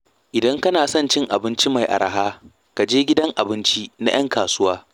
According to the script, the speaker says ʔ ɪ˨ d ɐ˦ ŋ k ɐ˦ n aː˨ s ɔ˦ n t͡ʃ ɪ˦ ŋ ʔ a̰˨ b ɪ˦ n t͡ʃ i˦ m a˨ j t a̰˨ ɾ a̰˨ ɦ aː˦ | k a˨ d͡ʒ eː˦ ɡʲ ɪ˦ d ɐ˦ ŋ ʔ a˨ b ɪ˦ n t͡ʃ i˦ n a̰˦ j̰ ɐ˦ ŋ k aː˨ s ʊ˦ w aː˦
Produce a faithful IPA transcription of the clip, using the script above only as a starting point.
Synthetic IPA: ʔ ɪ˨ d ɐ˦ ŋ k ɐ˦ n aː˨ s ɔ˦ n t͡ʃ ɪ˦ ŋ ʔ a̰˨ b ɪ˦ n t͡ʃ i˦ m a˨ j ʔ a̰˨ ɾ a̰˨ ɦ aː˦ | k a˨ d͡ʒ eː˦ ɡʲ ɪ˦ d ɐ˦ ŋ ʔ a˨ b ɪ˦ n t͡ʃ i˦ n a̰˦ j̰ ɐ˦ ŋ k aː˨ s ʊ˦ w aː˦